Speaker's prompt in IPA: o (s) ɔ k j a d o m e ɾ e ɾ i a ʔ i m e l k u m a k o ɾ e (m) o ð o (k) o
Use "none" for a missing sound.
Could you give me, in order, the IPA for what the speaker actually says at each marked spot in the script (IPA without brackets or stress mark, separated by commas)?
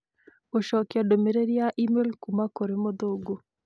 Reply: ʃ, m, ɡ